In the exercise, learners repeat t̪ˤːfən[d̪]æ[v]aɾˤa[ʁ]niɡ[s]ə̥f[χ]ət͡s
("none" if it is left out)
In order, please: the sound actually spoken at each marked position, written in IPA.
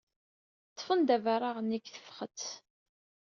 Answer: d̪, v, ʁ, θ, χ

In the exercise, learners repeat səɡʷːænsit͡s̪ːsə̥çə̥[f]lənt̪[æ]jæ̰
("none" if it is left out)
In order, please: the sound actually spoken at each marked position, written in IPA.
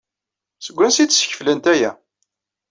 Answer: f, æ

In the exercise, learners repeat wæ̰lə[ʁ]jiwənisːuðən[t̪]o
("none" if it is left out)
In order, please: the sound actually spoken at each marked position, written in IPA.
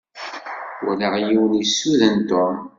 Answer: ʁ, t̪

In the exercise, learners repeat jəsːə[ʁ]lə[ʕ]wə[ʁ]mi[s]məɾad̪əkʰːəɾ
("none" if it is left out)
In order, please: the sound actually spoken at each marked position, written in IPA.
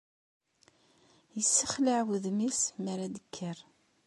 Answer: χ, ʕ, ð, s

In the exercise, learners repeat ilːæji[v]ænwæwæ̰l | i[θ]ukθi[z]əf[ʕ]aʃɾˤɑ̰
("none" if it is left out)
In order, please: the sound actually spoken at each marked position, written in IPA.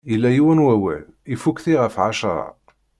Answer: w, f, ʁ, ʕ

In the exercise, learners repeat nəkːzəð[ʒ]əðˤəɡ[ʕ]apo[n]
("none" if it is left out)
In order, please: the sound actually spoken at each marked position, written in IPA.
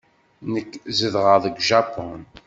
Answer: ʁ, ʒ, n

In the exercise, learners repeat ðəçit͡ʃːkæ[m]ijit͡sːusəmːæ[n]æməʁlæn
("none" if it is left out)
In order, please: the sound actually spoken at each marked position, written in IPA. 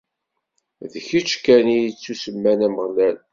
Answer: n, n

